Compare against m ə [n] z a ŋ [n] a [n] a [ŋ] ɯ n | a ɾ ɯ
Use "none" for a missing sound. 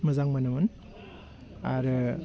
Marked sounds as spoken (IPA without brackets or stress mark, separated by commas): none, m, n, m